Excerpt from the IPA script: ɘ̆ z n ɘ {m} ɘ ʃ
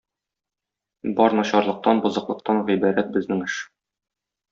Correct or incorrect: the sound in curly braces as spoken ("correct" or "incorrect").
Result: incorrect